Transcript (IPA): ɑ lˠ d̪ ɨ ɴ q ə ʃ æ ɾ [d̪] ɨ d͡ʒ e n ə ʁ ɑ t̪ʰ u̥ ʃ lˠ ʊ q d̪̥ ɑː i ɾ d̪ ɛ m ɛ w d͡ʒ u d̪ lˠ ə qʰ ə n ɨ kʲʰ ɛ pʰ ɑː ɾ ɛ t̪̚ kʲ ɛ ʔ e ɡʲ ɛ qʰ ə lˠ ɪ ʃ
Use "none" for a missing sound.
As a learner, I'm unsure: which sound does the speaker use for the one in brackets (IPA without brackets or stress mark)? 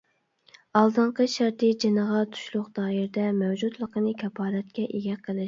t̪